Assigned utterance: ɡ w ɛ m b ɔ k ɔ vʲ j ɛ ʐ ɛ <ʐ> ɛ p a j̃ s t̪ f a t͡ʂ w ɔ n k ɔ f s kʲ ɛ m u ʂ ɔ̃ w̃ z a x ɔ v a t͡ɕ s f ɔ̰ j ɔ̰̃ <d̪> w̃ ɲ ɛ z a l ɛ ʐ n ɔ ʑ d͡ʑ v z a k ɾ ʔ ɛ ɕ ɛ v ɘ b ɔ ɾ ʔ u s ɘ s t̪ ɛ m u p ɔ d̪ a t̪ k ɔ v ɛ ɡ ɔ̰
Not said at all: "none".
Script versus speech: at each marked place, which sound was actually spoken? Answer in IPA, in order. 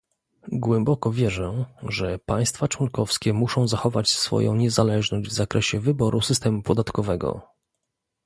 ʐ, none

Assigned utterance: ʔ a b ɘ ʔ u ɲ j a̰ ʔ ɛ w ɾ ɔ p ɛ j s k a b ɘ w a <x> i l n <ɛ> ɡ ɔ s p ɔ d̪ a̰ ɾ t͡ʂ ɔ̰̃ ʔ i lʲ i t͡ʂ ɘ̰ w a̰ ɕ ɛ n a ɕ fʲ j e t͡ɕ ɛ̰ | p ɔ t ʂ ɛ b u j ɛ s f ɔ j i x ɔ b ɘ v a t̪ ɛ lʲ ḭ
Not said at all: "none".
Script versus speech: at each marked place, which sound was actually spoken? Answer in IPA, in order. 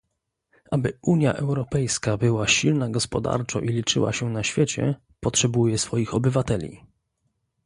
ɕ, a

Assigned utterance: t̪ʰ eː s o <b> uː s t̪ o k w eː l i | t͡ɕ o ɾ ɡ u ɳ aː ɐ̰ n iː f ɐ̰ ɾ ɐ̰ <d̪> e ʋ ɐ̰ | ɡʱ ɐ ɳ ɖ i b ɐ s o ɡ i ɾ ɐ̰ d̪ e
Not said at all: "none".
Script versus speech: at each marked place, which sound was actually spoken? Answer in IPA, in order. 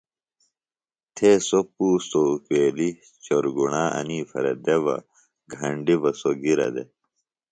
p, d̪

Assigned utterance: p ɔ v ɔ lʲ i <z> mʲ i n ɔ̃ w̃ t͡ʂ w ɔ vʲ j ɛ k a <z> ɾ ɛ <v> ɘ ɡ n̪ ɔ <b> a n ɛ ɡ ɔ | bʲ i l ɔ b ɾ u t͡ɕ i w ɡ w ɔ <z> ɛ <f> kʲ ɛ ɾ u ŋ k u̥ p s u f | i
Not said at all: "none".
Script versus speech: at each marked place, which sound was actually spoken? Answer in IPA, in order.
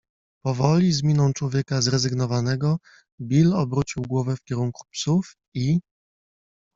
z, z, z, v, v, f

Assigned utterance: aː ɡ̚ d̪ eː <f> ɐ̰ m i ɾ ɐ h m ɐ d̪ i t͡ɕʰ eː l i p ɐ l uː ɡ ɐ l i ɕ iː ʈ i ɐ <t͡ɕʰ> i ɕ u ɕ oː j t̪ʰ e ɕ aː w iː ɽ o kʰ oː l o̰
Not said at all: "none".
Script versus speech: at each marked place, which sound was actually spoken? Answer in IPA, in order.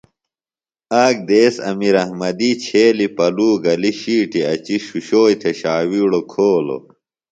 s, t͡ɕ

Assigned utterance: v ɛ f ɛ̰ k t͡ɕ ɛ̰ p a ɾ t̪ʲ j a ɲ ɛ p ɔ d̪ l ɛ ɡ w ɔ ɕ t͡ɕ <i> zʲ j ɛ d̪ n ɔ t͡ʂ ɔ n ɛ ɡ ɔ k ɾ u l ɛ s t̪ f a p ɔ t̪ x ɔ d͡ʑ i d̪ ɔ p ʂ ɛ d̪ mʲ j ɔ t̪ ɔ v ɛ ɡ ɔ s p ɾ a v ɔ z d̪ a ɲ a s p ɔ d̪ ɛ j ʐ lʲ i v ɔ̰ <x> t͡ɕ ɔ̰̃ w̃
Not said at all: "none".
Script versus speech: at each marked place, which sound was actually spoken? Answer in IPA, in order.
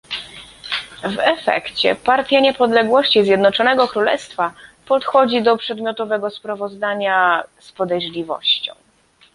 i, ɕ

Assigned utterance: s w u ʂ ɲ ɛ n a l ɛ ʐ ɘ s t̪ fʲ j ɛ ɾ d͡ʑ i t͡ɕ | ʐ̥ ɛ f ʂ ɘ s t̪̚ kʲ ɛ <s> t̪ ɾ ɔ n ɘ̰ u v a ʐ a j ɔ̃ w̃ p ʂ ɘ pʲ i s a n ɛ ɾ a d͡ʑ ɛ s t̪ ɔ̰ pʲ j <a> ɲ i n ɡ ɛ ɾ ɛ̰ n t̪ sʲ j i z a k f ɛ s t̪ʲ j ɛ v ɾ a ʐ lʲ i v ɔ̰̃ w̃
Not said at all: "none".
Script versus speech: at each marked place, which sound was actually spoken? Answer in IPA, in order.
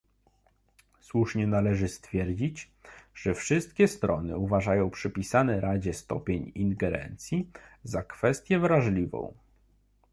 s, e

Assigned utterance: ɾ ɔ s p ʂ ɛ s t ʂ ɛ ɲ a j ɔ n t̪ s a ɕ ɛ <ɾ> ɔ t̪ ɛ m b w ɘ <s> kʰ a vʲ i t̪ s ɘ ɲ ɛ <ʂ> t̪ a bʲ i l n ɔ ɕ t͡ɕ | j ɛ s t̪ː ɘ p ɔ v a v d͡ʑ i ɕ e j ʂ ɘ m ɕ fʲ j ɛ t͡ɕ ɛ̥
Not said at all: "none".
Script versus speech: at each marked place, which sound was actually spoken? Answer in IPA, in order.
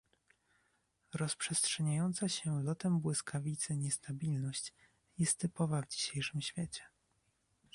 l, s, s

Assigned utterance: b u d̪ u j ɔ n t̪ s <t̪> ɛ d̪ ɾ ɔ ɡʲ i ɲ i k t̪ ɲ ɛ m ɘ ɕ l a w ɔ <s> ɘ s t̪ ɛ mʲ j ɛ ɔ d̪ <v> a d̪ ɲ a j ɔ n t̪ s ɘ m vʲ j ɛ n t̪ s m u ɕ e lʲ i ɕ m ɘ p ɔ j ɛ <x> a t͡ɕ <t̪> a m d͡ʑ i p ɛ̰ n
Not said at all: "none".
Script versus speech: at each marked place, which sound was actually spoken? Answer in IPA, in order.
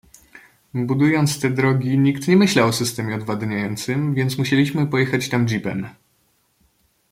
t̪, s, v, x, t̪

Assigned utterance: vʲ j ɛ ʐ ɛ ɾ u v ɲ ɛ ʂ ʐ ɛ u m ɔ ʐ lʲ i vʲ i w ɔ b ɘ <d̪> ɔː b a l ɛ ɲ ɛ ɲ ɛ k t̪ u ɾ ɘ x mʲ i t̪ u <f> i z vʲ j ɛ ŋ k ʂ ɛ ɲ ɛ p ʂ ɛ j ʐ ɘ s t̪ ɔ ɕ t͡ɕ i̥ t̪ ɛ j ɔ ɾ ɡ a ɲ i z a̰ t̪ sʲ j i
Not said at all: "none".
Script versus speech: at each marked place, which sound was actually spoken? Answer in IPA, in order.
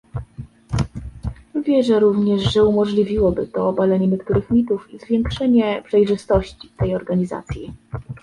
t̪, f

